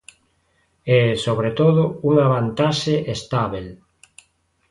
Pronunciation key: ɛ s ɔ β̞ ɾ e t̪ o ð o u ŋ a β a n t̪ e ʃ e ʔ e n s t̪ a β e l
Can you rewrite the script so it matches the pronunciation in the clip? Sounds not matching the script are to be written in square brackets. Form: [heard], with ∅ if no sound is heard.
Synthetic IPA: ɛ s [o] β̞ ɾ e t̪ o ð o u ŋ a β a n t̪ [a] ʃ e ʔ e [∅] s t̪ a β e l